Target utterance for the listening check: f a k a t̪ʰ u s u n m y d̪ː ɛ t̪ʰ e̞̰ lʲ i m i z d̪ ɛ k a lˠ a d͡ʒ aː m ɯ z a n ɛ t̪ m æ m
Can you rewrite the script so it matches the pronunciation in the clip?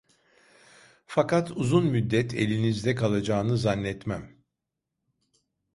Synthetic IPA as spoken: f a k a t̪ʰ u z u n m y d̪ː ɛ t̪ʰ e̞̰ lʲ i n i z d̪ ɛ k a lˠ a d͡ʒ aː n ɯ z a nː ɛ t̪ m æ m